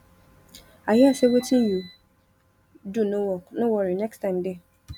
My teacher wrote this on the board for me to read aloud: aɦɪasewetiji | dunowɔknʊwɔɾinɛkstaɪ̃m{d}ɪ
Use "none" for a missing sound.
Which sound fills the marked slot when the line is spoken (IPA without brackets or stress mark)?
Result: d